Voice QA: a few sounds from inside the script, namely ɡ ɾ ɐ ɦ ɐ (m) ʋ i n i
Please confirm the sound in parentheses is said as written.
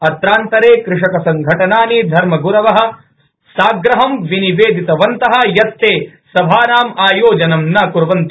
yes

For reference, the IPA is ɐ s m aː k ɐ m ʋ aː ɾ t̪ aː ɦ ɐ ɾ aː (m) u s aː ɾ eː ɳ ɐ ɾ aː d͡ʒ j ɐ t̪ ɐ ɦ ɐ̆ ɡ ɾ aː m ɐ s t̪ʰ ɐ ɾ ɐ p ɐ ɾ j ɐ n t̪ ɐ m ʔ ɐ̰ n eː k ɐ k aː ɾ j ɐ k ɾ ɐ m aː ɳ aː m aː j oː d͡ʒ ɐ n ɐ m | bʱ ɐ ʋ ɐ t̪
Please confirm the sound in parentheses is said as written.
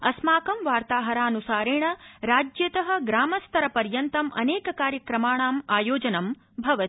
no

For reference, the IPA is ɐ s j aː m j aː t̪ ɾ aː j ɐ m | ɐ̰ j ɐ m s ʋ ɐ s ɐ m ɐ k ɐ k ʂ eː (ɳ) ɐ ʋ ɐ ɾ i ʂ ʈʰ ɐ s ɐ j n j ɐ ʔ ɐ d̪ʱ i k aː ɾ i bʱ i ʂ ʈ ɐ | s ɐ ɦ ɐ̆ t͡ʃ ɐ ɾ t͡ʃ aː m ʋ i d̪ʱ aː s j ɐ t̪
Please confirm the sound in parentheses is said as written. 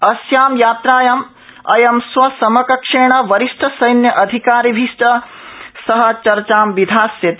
yes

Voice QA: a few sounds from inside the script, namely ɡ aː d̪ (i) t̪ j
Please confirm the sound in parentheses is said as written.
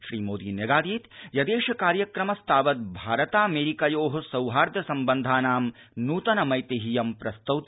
no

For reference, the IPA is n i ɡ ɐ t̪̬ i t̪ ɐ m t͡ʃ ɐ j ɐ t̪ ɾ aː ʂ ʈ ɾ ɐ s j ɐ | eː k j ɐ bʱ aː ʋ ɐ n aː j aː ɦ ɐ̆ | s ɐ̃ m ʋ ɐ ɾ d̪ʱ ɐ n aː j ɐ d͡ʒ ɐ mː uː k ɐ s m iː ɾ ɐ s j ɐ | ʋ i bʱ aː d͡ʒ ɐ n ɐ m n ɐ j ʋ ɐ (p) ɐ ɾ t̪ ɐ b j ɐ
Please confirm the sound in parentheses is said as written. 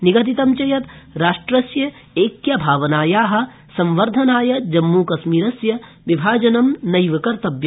no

